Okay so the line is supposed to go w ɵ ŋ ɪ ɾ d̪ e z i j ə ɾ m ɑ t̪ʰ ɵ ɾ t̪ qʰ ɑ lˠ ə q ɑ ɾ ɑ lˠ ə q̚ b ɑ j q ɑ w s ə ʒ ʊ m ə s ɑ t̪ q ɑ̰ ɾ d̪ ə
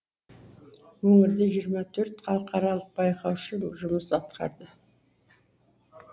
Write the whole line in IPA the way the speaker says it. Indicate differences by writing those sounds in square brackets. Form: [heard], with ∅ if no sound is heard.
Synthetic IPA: w ɵ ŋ ɪ ɾ d̪ e [ʒ] i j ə ɾ m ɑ t̪ʰ ɵ ɾ t̪ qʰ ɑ lˠ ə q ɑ ɾ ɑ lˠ ə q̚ b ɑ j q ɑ w [ʃ] ə ʒ ʊ m ə s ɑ t̪ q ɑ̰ ɾ d̪ ə